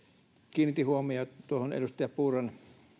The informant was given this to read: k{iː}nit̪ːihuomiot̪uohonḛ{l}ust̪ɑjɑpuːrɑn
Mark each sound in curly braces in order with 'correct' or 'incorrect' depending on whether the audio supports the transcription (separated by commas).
correct, correct